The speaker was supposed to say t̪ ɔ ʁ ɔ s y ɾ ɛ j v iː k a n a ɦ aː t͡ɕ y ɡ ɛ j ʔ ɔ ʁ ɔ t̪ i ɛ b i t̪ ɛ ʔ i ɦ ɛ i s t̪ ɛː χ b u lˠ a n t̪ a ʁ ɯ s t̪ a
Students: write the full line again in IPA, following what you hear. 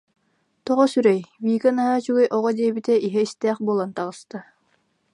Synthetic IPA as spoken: t̪ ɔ ʁ ɔ s y ɾ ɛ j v iː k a n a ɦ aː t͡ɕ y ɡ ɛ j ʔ ɔ ʁ ɔ d̪ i ɛ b i t̪ ɛ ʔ i ɦ ɛ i s t̪ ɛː χ b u lˠ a n t̪ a ʁ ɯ s t̪ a